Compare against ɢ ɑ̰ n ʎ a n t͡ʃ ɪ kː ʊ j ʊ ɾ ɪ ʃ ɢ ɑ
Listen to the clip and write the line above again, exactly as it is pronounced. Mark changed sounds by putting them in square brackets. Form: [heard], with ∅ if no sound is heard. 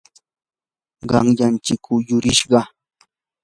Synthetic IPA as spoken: ɢ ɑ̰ [ŋ] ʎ a n t͡ʃ ɪ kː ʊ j ʊ ɾ ɪ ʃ ɢ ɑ